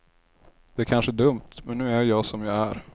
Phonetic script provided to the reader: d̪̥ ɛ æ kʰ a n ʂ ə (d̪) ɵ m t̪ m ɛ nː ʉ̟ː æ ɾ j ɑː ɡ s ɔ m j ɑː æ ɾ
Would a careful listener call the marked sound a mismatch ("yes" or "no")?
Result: no